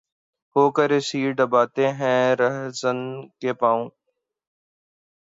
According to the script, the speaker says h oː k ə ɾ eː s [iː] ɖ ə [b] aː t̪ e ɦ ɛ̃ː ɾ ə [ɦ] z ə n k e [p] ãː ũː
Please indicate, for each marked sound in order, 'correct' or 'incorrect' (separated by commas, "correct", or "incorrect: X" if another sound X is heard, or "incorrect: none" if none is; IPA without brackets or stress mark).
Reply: correct, correct, correct, correct